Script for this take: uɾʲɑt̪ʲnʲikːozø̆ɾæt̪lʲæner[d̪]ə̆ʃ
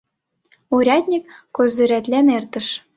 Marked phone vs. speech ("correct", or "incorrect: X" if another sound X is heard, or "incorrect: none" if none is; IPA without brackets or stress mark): incorrect: t̪